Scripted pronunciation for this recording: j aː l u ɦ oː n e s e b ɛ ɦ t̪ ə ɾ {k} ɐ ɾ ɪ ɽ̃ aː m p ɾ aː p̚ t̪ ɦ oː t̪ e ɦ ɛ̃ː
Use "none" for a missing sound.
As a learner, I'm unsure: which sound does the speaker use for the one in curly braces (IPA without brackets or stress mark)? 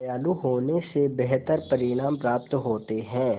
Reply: p